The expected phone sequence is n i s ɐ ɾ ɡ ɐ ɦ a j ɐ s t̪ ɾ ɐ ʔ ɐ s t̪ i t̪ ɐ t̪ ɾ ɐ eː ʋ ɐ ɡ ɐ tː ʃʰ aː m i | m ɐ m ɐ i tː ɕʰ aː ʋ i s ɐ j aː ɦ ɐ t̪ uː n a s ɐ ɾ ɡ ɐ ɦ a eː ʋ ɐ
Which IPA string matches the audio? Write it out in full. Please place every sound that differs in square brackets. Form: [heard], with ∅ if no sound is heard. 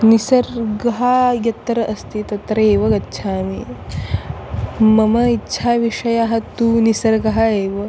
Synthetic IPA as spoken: n i s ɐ ɾ ɡ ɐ ɦ a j ɐ [∅] t̪ ɾ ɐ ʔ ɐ s t̪ i t̪ ɐ t̪ ɾ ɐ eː ʋ ɐ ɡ ɐ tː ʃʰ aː m i | m ɐ m ɐ i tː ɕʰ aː ʋ i [ʂ] ɐ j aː ɦ ɐ t̪ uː n [i] s ɐ ɾ ɡ ɐ ɦ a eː ʋ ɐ